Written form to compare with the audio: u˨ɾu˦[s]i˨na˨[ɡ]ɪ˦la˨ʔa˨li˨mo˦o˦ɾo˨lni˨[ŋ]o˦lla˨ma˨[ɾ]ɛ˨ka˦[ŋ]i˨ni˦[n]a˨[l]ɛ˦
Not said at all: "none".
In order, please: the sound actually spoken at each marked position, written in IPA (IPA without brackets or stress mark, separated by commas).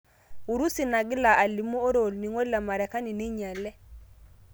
s, ɡ, ŋ, ɾ, n, ɲ, l